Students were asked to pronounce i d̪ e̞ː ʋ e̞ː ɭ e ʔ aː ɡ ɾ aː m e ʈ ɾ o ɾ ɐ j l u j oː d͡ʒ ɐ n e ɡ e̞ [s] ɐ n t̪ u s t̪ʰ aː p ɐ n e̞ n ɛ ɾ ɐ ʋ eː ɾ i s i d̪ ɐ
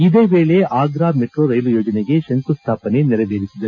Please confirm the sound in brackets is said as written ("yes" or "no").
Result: no